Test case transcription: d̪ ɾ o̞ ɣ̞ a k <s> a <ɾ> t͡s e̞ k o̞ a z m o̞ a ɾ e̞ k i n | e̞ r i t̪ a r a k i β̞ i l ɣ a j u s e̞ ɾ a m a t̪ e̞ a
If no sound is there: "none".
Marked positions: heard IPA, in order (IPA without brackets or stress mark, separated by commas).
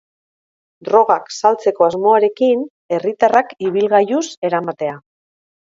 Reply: s, l